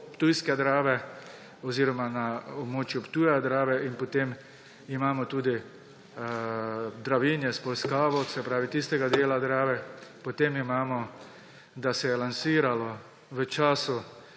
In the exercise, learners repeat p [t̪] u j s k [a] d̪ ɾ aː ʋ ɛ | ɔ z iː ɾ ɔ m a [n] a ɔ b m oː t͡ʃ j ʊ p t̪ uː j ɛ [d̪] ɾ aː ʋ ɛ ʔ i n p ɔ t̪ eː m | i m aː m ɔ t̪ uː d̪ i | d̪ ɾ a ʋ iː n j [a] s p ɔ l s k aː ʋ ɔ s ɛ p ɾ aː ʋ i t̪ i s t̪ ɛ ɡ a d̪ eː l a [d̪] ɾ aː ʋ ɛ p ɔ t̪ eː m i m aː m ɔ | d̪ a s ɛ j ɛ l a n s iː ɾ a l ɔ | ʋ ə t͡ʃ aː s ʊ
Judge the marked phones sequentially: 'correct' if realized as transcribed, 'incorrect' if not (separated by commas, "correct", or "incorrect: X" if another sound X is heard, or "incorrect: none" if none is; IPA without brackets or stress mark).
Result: correct, incorrect: ɛ, correct, correct, incorrect: ɛ, correct